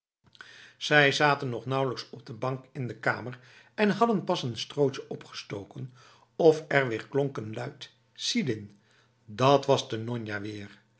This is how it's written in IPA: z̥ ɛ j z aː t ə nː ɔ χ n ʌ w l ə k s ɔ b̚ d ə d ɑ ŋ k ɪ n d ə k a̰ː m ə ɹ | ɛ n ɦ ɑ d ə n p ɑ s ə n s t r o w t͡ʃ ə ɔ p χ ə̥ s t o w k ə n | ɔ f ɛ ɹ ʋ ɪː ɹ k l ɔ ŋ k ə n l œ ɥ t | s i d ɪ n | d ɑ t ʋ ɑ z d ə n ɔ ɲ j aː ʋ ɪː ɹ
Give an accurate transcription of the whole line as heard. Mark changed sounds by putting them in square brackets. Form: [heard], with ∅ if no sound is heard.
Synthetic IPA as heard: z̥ ɛ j z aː t ə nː ɔ χ n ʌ w l ə k s ɔ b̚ d ə [b] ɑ ŋ k ɪ n d ə k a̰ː m ə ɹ | ɛ n ɦ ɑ d ə n p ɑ s ə n s t r o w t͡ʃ ə ɔ p χ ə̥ s t o w k ə n | ɔ f ɛ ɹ ʋ ɪː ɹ k l ɔ ŋ k ə n l œ ɥ t | s i d ɪ n | d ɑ t ʋ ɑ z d ə n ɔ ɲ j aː ʋ ɪː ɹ

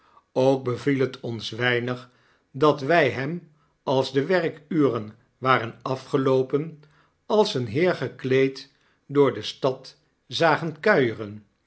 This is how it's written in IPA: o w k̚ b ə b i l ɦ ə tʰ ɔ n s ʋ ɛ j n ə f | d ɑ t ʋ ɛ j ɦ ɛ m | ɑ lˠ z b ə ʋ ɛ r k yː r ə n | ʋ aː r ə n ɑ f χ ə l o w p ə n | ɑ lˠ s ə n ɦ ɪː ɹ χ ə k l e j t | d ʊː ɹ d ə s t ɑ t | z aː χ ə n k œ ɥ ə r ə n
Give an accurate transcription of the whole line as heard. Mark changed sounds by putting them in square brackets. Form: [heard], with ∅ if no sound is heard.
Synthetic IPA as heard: o w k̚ b ə [v] i l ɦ ə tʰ ɔ n s ʋ ɛ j n ə [χ] | d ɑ t ʋ ɛ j ɦ ɛ m | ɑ lˠ z [d] ə ʋ ɛ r k yː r ə n | ʋ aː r ə n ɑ f χ ə l o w p ə n | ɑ lˠ s ə n ɦ ɪː ɹ χ ə k l e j t | d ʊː ɹ d ə s t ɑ t | z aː χ ə n k œ ɥ ə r ə n

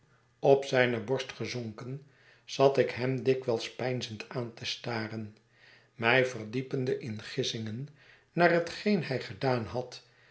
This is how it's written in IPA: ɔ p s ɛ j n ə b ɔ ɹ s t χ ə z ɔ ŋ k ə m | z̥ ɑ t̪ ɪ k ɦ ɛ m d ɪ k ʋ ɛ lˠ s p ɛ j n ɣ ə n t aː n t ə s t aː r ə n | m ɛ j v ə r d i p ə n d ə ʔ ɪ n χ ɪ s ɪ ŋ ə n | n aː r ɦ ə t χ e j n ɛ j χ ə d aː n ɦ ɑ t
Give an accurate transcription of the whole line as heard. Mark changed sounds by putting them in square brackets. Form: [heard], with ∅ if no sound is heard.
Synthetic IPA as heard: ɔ p s ɛ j n ə b ɔ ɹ s t χ ə z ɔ ŋ k ə [n] | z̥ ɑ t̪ ɪ k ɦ ɛ m d ɪ k ʋ ɛ lˠ s p ɛ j n [z] ə n t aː n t ə s t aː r ə n | m ɛ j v ə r d i p ə n d ə ʔ ɪ n χ ɪ s ɪ ŋ ə n | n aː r ɦ ə t χ e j n ɛ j χ ə d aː n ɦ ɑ t

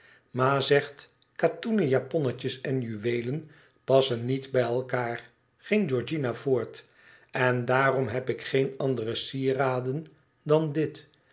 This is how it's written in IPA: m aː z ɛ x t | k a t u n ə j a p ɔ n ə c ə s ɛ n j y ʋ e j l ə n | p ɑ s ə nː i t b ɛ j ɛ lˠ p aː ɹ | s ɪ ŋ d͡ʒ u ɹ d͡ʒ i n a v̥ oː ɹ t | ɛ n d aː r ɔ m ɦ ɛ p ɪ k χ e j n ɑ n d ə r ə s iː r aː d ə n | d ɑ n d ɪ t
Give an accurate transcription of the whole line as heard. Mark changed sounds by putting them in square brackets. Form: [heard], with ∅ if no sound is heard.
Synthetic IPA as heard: m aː z ɛ [χ] t | k a t u n ə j a p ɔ n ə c ə s ɛ n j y ʋ e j l ə n | p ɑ s ə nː i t b ɛ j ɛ lˠ [k] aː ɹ | [χ] ɪ ŋ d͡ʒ [ɔ] ɹ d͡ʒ i n a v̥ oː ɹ t | ɛ n d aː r ɔ m ɦ ɛ p ɪ k χ e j n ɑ n d ə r ə s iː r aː d ə n | d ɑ n d ɪ t

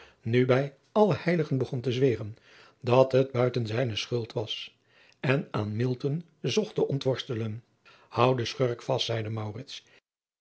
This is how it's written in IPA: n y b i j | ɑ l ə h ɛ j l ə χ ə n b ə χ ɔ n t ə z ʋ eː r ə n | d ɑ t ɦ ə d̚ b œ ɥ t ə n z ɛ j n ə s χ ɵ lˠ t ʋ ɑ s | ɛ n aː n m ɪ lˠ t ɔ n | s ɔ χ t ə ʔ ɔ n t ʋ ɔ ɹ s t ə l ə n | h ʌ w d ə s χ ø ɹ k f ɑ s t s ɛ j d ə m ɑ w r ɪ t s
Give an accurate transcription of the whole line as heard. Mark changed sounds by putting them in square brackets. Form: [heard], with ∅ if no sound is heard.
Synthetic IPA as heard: n y b [ɛ] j | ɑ l ə h ɛ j l ə χ ə n b ə χ ɔ n t ə z ʋ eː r ə n | d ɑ t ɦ ə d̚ b œ ɥ t ə n z ɛ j n ə s χ ɵ lˠ t ʋ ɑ s | ɛ n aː n m ɪ lˠ t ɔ n | [z] ɔ χ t ə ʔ ɔ n t ʋ ɔ ɹ s t ə l ə n | h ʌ w d ə s χ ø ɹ k f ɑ s t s ɛ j d ə m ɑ w r ɪ t s

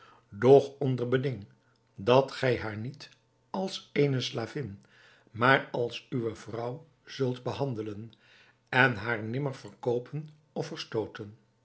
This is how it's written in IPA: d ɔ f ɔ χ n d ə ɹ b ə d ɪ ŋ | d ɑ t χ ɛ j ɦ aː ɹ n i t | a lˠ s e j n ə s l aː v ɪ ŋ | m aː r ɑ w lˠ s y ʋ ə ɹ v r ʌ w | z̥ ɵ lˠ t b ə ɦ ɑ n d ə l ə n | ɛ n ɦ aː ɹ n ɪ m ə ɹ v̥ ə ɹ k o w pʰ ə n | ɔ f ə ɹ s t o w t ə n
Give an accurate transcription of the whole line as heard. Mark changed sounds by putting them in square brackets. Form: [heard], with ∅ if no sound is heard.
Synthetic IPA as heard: d ɔ [χ] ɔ [∅] n d ə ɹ b ə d ɪ ŋ | d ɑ t χ ɛ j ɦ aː ɹ n i t | [ɑ] lˠ s e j n ə s l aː v ɪ [n] | m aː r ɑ [∅] lˠ s y ʋ ə [∅] v r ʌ w | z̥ ɵ lˠ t b ə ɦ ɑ n d ə l ə n | ɛ n ɦ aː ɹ n ɪ m ə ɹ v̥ ə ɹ k o w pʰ ə n | ɔ f ə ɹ s t o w t ə n

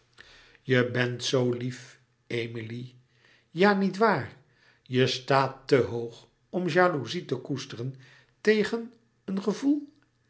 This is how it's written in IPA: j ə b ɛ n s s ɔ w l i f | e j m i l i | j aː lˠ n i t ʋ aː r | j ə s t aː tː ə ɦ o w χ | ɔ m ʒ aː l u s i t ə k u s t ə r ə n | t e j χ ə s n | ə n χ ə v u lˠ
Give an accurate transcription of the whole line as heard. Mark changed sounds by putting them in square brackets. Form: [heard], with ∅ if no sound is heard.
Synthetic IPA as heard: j ə b ɛ n [t] s [o] w l i f | e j m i l i | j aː [∅] n i t ʋ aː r | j ə s t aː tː ə ɦ o w χ | ɔ m ʒ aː l u [z] i t ə k u s t ə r ə n | t e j χ ə [∅] n | ə n χ ə v u lˠ

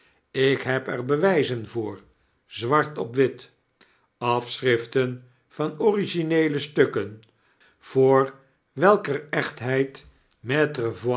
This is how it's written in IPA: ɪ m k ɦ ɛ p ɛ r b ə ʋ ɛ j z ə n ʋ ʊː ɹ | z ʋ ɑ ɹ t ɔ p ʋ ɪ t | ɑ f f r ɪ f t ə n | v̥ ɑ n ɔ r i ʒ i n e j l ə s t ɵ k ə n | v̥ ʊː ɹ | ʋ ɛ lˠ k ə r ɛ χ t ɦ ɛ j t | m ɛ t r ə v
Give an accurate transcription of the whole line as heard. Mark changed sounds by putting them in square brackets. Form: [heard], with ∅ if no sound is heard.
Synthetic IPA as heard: ɪ [∅] k ɦ ɛ p ɛ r b ə ʋ ɛ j z ə n [v] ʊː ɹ | z ʋ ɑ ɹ t ɔ p ʋ ɪ t | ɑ f [s] r ɪ f t ə n | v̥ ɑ n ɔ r i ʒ i n e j l ə s t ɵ k ə n | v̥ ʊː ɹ | ʋ ɛ lˠ k ə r ɛ χ t ɦ ɛ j t | m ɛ t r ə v

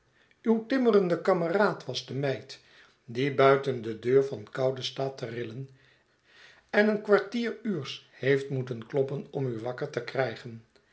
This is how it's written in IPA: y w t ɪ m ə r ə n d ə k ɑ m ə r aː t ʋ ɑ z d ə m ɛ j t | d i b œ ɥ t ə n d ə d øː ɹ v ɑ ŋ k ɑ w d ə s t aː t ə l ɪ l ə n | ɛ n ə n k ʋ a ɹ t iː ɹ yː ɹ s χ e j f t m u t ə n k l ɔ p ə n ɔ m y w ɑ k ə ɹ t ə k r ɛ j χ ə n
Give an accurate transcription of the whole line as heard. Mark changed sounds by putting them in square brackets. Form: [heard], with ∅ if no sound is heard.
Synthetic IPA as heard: y w t ɪ m ə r ə n d ə k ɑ m ə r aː t ʋ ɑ z d ə m ɛ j t | d i b œ ɥ t ə n d ə d øː ɹ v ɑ [n] k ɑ w d ə s t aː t ə [r] ɪ l ə n | ɛ n ə n k ʋ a ɹ t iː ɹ yː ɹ s [h] e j f t m u t ə n k l ɔ p ə n ɔ m y [ʋ] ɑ k ə ɹ t ə k r ɛ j χ ə n

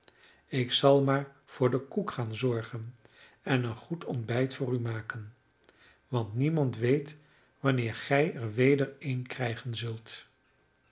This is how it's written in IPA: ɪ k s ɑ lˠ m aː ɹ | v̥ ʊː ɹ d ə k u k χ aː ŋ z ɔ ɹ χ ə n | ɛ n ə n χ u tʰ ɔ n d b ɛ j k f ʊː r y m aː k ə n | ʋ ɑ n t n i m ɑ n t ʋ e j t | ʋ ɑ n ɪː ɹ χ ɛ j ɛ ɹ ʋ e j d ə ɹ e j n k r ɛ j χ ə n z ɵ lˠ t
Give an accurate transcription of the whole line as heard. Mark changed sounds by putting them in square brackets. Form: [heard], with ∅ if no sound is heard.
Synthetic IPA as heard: ɪ k s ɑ lˠ m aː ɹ | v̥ ʊː ɹ d ə k u k χ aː [n] z ɔ ɹ χ ə n | ɛ n ə n χ u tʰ ɔ n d b ɛ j [t] f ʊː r y m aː k ə n | ʋ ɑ n t n i m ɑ n t ʋ e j t | ʋ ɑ n ɪː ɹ χ ɛ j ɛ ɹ ʋ e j d ə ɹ e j n k r ɛ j χ ə n z ɵ lˠ t

